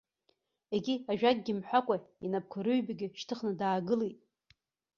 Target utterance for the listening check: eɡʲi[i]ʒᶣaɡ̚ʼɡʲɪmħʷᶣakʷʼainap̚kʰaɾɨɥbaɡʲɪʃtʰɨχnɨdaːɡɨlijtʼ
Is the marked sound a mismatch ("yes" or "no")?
yes